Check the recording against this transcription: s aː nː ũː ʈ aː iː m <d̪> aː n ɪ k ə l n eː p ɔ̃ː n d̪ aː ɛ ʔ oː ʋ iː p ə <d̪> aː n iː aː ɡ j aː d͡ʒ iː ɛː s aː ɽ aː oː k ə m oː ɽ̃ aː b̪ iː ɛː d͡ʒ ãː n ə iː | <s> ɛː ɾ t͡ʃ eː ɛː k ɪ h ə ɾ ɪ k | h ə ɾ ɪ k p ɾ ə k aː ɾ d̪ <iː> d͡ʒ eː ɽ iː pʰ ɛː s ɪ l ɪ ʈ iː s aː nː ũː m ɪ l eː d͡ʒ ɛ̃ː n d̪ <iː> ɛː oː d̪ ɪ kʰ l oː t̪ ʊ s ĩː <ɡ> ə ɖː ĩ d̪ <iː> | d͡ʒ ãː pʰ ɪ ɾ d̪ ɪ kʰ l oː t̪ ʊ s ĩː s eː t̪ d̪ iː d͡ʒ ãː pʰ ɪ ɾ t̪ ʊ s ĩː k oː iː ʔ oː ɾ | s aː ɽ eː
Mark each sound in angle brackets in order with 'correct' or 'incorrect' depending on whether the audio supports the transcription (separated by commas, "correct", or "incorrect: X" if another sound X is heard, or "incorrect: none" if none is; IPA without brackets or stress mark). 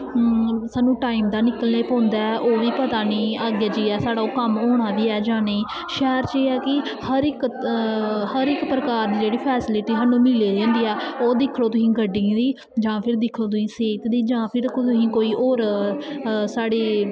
correct, incorrect: t̪, incorrect: ʃ, correct, correct, correct, correct